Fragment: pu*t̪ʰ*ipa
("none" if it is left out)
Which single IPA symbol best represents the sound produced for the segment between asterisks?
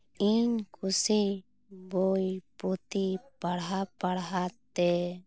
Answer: t̪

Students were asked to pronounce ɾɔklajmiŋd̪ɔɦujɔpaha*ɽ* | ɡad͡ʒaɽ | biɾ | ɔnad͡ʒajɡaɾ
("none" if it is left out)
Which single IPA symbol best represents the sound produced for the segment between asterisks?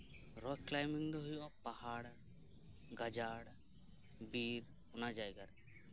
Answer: ɽ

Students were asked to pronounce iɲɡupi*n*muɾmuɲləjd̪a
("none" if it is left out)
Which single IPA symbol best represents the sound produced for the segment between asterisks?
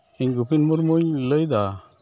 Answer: n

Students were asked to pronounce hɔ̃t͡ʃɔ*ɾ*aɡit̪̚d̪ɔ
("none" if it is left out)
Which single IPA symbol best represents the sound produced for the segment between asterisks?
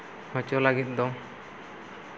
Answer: l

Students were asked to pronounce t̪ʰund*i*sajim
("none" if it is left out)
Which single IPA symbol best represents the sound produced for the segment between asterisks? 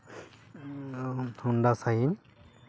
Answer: a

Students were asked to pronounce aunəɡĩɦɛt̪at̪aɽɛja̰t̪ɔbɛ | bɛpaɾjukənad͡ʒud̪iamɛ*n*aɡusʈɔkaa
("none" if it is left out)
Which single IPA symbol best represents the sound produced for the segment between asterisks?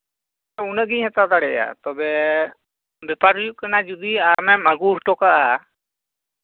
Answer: m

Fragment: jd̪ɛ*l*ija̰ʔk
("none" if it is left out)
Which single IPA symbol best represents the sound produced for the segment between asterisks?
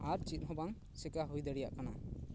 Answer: ɽ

